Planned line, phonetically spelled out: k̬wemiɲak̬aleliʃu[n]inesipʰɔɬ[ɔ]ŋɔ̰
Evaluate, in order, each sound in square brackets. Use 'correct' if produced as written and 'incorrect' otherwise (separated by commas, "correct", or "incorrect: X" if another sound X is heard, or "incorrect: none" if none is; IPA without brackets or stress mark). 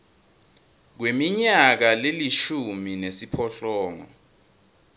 incorrect: m, incorrect: ɔː